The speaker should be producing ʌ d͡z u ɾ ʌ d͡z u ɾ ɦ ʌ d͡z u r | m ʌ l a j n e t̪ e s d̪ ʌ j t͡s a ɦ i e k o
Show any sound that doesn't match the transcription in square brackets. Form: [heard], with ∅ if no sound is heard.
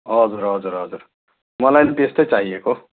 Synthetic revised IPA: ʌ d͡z u ɾ ʌ d͡z u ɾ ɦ ʌ d͡z u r | m ʌ l a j n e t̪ e s [t̪] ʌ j t͡s a ɦ i e k o